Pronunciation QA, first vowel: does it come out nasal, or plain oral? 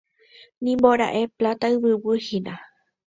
nasal